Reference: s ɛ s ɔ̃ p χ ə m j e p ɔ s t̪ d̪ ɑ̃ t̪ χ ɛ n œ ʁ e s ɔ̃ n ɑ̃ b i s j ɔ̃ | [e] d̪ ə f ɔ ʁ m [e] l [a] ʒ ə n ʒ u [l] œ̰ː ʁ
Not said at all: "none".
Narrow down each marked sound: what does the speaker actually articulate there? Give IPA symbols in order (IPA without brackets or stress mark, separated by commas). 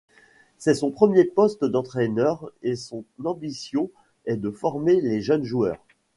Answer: ɛ, e, e, none